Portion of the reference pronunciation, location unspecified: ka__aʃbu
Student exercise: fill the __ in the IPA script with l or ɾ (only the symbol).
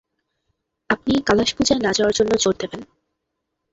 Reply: l